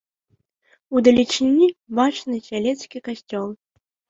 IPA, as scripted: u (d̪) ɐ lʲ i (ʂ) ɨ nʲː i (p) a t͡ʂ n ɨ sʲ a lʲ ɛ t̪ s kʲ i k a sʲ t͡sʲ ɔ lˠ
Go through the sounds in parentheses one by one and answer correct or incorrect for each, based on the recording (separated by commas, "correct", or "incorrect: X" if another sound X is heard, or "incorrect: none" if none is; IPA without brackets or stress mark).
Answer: correct, incorrect: t͡ʂ, incorrect: b